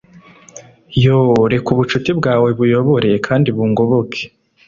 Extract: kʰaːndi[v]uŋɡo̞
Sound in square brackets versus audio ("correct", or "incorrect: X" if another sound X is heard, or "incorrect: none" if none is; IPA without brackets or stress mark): incorrect: β